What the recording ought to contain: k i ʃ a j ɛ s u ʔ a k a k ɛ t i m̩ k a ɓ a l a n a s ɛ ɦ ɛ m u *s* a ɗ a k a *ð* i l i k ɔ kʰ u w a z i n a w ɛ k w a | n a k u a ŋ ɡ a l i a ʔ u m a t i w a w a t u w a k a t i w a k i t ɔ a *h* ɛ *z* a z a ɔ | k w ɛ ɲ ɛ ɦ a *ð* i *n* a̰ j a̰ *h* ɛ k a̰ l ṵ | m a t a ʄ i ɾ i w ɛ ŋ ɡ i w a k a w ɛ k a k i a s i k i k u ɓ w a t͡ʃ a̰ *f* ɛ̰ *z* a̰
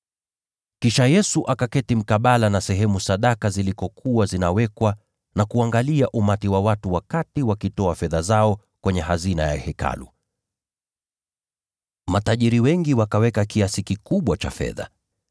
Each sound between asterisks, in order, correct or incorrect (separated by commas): correct, incorrect, incorrect, incorrect, incorrect, correct, correct, correct, incorrect